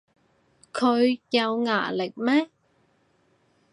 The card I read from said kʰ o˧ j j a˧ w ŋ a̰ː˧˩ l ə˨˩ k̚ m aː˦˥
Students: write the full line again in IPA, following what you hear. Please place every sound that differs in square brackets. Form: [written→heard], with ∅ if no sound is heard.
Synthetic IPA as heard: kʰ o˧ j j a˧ w ŋ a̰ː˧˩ l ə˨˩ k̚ m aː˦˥